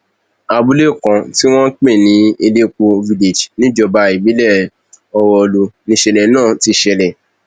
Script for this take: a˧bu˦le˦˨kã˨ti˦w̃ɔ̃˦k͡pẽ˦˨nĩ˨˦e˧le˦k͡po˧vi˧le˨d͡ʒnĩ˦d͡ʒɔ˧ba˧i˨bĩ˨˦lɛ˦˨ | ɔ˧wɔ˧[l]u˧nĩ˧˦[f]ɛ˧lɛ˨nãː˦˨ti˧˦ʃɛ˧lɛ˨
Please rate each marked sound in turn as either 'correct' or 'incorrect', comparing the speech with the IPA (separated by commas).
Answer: correct, incorrect